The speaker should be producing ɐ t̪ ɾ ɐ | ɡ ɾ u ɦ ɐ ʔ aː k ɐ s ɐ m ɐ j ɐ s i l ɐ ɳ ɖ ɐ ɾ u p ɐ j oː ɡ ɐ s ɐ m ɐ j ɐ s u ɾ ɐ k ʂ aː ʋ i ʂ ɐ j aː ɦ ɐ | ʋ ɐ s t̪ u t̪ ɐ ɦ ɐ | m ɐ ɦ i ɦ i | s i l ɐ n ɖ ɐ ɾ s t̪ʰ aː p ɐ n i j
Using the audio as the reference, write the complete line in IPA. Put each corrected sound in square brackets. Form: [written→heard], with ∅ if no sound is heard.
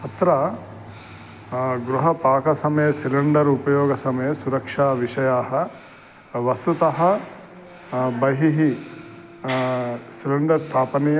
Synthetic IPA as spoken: ɐ t̪ ɾ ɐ | ɡ ɾ u ɦ ɐ [ʔ→p] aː k ɐ s ɐ m ɐ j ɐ s i l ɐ ɳ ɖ ɐ ɾ u p ɐ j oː ɡ ɐ s ɐ m ɐ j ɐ s u ɾ ɐ k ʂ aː ʋ i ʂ ɐ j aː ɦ ɐ | ʋ ɐ s t̪ u t̪ ɐ ɦ ɐ | [m→b] ɐ ɦ i ɦ i | s i l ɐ [n→ɳ] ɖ ɐ ɾ s t̪ʰ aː p ɐ n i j